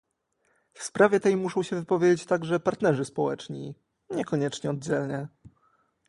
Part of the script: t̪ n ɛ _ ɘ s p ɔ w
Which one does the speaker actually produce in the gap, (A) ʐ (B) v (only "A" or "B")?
A